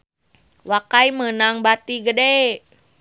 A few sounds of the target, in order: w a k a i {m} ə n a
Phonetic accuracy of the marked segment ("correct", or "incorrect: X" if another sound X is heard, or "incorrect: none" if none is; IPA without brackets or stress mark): correct